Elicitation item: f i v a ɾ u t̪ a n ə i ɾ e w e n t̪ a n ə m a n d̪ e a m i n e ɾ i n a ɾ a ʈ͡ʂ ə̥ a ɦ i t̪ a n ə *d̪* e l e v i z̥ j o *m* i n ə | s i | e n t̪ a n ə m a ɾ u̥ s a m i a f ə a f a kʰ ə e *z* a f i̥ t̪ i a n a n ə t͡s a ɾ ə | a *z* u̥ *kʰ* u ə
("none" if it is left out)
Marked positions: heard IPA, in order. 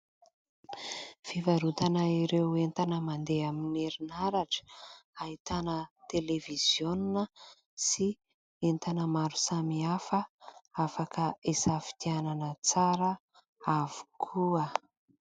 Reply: t̪, n, s, v, kʰ

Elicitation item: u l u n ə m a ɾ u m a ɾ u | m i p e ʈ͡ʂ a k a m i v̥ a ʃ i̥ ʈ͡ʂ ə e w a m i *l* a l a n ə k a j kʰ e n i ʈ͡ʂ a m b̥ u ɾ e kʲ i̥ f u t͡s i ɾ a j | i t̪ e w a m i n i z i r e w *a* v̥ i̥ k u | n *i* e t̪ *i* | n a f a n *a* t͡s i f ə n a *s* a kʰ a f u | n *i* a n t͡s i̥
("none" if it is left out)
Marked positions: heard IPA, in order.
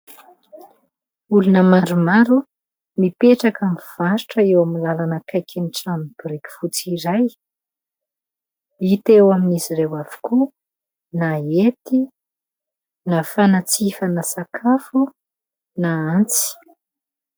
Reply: l, a, a, i, a, s, a

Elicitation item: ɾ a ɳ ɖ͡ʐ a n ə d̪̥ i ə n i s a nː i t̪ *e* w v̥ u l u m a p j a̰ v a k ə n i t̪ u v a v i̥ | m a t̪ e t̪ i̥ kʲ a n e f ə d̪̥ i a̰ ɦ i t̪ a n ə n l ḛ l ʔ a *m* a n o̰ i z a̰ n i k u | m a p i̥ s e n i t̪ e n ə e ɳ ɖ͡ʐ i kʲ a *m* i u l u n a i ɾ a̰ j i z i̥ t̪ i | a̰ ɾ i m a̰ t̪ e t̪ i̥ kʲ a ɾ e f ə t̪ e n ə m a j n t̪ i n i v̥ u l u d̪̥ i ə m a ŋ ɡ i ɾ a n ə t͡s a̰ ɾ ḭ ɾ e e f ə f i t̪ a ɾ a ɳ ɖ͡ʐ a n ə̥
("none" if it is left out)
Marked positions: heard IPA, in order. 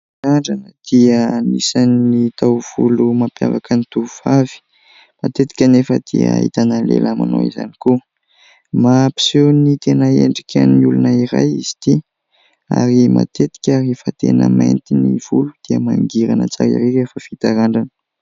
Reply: a, m, n

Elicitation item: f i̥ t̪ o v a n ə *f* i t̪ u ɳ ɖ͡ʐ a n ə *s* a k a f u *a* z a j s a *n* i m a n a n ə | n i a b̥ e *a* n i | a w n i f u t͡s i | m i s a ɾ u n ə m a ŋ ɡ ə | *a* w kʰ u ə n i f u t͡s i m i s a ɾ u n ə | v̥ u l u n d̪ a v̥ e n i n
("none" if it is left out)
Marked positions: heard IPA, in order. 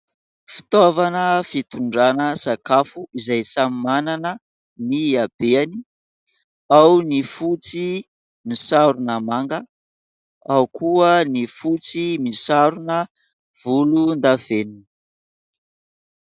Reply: f, s, i, m, a, a

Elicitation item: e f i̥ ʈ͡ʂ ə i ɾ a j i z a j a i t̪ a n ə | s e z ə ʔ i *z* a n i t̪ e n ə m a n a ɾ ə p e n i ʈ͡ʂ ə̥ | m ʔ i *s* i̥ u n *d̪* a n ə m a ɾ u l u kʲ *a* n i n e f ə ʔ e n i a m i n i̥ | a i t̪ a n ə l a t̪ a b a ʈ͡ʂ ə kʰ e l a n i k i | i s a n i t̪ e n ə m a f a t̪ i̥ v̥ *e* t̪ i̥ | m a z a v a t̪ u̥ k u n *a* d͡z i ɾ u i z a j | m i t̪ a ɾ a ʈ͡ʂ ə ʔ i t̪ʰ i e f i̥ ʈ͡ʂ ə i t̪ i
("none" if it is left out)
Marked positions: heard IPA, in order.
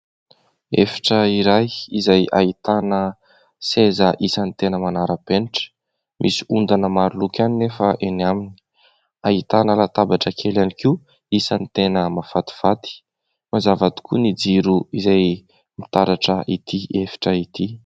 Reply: s, s, d̪, a, a, i

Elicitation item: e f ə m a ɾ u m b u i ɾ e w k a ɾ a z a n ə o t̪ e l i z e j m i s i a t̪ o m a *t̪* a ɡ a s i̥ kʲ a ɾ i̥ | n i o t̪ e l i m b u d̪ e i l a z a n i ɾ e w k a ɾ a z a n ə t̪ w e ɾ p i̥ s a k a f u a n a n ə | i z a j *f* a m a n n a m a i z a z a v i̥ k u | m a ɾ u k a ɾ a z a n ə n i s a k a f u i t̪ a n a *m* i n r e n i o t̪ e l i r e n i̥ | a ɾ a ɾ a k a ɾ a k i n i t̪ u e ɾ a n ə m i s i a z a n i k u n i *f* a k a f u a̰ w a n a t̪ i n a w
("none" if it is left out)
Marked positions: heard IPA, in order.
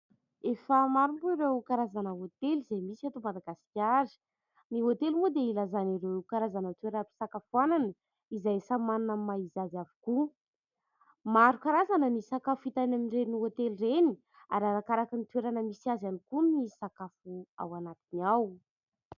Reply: d̪, s, m, s

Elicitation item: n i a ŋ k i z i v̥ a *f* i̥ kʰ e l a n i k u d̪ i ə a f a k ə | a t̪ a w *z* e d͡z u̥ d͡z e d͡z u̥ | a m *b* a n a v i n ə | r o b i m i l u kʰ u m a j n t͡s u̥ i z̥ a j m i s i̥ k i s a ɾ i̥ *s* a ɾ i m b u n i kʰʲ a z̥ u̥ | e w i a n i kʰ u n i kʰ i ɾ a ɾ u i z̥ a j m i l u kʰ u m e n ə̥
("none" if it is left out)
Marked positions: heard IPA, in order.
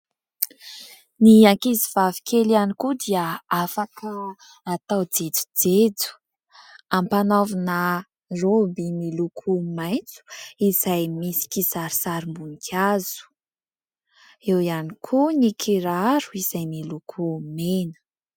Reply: v, d͡z, p, s

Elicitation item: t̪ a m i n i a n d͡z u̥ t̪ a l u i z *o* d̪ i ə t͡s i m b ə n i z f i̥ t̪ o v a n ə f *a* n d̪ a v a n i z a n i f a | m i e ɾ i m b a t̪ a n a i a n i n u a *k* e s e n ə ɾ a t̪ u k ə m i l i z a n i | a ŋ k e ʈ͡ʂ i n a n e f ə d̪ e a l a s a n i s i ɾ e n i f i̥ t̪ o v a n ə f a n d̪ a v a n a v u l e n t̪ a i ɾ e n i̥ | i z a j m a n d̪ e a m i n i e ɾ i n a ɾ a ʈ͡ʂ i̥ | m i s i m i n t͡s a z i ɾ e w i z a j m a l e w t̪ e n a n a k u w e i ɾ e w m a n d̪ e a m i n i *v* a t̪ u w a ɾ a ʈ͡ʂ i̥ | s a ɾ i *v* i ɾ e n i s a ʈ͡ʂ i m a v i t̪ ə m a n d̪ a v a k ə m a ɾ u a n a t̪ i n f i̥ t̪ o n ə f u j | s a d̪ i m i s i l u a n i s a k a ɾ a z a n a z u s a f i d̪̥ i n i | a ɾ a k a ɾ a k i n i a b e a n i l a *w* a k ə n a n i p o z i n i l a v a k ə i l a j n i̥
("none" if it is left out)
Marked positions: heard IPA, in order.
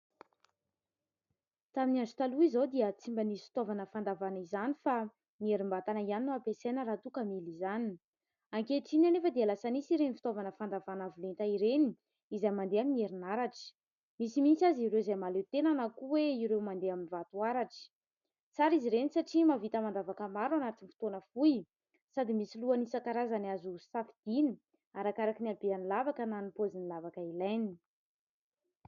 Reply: o, a, p, v, z, v

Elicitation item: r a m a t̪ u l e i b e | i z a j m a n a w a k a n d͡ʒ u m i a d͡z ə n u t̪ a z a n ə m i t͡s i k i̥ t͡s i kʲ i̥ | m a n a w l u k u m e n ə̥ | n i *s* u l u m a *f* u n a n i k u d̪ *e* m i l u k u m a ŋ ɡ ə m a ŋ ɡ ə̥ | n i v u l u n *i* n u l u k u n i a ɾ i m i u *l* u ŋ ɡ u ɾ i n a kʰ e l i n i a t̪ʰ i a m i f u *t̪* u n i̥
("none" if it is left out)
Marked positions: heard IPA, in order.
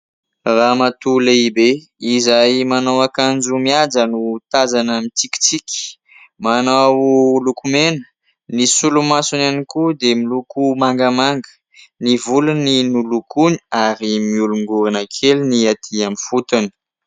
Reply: s, s, e, i, l, t̪

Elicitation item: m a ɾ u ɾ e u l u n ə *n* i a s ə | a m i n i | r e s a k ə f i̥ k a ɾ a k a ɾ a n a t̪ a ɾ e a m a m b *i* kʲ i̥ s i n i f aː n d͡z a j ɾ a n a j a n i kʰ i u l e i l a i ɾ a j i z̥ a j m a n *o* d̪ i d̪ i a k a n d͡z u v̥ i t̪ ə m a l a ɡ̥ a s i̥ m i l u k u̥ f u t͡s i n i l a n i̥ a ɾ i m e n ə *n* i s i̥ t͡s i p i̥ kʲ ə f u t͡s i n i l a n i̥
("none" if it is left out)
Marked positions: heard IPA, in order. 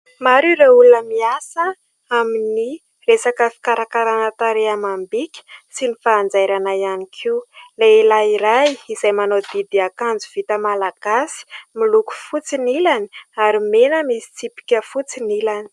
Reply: m, i, o, m

